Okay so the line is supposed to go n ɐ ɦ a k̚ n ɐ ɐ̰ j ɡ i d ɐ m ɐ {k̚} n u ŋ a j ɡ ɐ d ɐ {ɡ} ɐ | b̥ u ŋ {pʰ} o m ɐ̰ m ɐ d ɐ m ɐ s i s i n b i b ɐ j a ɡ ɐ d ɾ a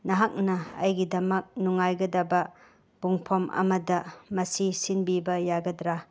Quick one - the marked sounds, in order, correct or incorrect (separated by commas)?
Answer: correct, incorrect, correct